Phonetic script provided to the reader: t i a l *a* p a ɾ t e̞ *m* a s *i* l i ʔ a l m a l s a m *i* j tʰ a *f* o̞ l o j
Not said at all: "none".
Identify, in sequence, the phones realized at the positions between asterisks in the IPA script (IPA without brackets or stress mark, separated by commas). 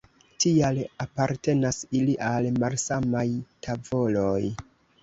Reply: a, n, i, a, v